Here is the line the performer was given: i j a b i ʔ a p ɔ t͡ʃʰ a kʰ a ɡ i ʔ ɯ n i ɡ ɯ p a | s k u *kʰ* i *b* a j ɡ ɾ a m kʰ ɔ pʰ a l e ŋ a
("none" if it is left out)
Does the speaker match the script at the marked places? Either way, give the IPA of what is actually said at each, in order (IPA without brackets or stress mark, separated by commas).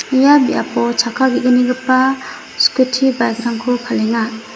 tʰ, b